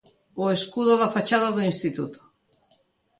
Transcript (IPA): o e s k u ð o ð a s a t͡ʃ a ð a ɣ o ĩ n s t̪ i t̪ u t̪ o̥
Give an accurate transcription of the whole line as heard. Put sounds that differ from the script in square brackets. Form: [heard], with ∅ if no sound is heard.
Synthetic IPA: o e s k u ð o ð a [f] a t͡ʃ a ð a [ð] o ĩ n s t̪ i t̪ u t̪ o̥